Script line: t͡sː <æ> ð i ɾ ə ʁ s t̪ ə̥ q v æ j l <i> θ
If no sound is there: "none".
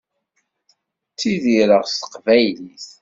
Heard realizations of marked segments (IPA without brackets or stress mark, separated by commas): i, i